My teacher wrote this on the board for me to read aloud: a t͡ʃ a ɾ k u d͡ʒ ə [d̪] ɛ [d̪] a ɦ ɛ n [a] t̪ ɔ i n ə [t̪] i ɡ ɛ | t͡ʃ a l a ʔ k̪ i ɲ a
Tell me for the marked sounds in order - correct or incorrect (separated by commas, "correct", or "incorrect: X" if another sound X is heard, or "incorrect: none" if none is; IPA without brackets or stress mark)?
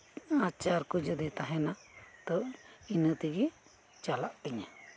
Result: correct, incorrect: t̪, correct, correct